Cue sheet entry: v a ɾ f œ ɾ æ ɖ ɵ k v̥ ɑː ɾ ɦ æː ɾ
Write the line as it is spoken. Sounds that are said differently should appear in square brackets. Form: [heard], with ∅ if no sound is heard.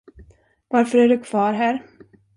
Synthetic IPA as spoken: v a ɾ f œ ɾ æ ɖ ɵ [kʰ] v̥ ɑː ɾ ɦ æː ɾ